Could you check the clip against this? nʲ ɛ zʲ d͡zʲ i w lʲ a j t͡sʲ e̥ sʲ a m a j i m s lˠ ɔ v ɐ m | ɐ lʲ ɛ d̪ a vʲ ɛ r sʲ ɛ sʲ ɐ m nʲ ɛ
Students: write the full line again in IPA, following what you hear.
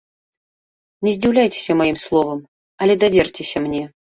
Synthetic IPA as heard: nʲ ɛ zʲ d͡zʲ i w lʲ a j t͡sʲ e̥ sʲ ɐ m a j i m s lˠ ɔ v ɐ m | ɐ lʲ ɛ d̪ a vʲ ɛ r t͡sʲ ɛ sʲ ɐ m nʲ ɛ